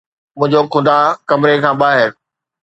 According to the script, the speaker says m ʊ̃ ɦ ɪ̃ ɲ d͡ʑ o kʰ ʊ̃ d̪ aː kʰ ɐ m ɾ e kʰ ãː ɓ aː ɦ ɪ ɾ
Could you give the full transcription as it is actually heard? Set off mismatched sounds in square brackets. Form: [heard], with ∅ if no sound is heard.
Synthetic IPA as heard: m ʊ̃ ɦ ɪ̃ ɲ d͡ʑ o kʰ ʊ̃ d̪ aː [k] ɐ m ɾ e kʰ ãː ɓ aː ɦ ɪ ɾ